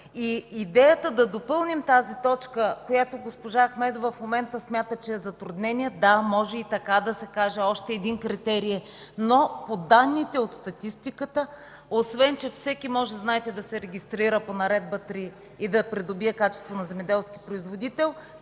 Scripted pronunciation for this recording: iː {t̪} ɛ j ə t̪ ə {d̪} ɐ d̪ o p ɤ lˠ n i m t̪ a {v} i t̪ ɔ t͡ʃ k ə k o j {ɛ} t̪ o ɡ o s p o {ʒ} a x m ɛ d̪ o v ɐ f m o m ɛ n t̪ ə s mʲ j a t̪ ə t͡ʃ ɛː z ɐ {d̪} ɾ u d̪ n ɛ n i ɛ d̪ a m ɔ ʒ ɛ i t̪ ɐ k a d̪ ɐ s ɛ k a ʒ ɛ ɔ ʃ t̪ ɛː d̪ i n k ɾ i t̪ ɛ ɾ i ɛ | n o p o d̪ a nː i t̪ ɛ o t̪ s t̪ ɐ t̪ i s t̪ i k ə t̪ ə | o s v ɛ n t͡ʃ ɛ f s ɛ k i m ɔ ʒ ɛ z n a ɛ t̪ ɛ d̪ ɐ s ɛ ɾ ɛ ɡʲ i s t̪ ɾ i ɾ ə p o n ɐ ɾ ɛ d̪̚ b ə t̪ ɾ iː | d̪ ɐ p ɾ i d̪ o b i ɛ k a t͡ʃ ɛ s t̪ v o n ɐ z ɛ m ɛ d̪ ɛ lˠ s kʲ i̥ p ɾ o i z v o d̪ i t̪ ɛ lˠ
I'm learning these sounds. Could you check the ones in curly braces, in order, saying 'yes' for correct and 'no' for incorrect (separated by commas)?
no, yes, no, no, yes, no